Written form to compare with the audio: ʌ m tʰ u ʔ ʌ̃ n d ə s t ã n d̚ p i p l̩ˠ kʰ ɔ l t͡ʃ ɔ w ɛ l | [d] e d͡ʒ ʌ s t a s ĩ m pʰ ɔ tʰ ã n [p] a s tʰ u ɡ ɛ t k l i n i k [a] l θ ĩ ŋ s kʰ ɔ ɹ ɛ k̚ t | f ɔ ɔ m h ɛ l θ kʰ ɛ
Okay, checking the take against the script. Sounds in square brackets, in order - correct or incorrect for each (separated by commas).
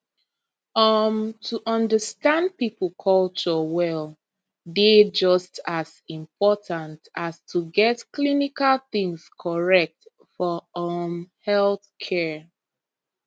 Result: correct, incorrect, correct